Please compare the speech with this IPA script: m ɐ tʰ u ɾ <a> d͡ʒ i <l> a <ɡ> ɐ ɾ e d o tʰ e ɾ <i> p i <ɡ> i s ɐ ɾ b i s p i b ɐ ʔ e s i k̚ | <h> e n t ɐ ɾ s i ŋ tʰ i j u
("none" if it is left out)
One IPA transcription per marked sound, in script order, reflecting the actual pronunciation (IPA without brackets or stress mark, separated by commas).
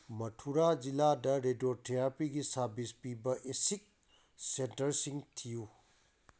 a, l, d, a, ɡ, s